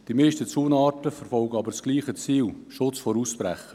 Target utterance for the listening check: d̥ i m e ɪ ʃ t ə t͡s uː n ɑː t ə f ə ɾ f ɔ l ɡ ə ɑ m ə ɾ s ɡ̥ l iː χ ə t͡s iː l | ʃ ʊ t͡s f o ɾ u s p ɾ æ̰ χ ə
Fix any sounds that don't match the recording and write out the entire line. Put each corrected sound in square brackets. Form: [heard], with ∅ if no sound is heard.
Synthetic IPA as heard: d̥ i m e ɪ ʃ t ə t͡s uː n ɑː t ə f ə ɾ f ɔ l ɡ ə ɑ [b] ə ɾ s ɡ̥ l iː χ ə t͡s iː l | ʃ ʊ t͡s f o ɾ u s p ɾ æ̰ χ ə